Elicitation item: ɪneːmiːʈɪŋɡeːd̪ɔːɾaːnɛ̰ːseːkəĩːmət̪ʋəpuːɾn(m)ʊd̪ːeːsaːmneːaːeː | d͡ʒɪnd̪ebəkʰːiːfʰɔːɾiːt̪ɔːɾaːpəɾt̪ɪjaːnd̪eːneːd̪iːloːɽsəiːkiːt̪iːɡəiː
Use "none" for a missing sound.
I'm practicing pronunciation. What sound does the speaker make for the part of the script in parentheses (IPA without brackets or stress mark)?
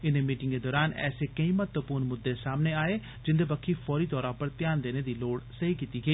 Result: m